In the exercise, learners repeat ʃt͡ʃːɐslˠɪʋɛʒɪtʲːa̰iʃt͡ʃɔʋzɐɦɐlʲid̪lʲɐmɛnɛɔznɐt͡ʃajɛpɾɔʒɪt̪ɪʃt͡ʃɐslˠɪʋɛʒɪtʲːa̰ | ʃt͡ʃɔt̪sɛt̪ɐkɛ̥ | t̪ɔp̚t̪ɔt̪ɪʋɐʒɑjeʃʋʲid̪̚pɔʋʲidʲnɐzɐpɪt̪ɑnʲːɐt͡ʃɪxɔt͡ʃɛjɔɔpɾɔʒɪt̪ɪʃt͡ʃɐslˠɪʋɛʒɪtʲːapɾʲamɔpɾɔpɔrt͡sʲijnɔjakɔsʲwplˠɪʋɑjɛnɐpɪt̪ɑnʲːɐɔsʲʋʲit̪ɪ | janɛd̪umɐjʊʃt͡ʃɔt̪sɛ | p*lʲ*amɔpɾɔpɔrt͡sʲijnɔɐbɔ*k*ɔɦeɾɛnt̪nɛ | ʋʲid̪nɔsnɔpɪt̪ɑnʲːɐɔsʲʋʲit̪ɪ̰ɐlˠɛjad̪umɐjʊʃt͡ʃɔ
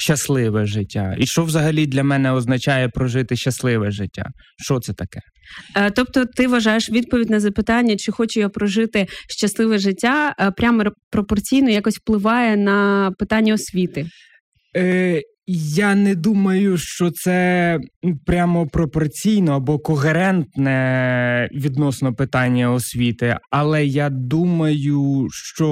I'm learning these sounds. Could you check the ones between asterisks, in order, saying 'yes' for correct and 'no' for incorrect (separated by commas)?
no, yes